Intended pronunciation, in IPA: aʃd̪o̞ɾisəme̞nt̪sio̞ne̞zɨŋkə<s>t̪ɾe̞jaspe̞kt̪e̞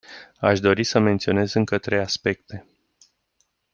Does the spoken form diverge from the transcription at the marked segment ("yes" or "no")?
yes